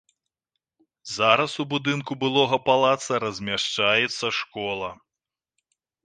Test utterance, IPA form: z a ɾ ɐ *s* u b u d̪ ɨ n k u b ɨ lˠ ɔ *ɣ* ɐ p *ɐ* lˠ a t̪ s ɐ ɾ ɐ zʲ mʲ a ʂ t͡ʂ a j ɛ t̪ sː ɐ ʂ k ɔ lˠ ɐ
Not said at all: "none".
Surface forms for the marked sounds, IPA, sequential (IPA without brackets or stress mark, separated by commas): s, ɣ, a